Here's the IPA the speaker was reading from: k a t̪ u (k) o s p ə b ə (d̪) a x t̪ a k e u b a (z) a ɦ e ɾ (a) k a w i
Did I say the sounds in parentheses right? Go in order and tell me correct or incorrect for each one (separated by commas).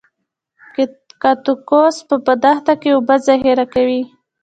correct, correct, correct, correct